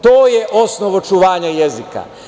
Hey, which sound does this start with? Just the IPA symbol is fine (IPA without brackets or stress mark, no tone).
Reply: t̪